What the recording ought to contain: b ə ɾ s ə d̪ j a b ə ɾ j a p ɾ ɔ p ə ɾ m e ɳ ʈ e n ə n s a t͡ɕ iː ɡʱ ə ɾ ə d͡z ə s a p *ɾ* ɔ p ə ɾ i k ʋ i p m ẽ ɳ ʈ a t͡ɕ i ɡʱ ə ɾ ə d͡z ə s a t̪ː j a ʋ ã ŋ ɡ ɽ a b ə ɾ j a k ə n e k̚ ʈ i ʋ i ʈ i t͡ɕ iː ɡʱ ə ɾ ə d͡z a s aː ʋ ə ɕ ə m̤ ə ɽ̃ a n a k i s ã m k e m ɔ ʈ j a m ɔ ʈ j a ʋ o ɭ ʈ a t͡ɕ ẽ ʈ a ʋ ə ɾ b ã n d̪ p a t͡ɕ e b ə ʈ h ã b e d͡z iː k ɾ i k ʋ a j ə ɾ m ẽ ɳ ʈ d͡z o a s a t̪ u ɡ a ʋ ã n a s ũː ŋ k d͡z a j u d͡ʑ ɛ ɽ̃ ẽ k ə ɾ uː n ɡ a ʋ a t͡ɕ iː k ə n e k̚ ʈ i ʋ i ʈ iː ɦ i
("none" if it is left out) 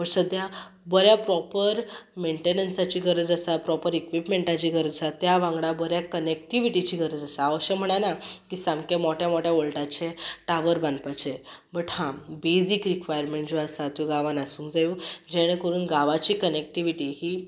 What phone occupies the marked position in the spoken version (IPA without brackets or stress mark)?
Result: ɾ